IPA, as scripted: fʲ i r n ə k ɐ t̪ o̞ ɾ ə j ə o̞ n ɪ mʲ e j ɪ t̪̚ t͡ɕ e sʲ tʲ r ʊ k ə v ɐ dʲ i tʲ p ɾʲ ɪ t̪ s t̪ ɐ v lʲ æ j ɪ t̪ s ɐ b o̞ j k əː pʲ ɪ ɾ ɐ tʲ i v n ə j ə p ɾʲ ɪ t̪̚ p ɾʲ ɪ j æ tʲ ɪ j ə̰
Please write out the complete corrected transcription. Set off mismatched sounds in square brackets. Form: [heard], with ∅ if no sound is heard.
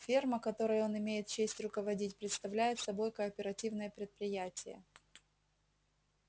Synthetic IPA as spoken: fʲ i r [m] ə k ɐ t̪ o̞ ɾ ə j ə o̞ n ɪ mʲ e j ɪ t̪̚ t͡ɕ e sʲ tʲ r ʊ k ə v ɐ dʲ i tʲ p ɾʲ ɪ t̪ s t̪ ɐ v lʲ æ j ɪ t̪ s ɐ b o̞ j k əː pʲ ɪ ɾ ɐ tʲ i v n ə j ə p ɾʲ ɪ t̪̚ p ɾʲ ɪ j æ tʲ ɪ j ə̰